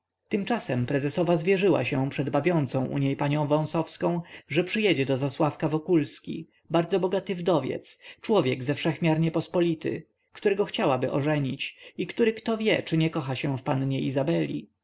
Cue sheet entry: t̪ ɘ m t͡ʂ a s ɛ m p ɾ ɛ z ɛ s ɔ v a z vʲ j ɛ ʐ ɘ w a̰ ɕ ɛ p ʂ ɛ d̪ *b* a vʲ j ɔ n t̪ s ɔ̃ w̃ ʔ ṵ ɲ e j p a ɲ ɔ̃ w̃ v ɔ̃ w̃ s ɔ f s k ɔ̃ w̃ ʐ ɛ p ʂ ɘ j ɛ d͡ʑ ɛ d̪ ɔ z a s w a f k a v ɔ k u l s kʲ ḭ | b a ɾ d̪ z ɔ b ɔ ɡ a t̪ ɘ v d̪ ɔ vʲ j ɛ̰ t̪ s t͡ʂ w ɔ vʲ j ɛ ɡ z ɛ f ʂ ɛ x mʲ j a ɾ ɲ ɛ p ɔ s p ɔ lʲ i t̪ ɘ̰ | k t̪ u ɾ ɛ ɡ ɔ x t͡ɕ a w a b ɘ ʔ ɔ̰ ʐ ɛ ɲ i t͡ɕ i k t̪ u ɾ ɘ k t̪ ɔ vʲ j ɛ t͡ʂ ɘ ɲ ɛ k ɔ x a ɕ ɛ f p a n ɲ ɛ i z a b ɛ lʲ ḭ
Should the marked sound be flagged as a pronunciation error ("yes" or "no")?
no